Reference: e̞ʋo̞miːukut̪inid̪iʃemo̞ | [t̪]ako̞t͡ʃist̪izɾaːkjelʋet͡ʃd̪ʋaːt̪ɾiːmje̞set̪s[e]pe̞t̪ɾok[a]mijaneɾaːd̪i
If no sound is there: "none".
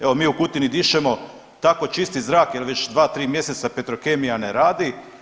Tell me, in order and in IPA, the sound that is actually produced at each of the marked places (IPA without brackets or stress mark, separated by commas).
t̪, a, e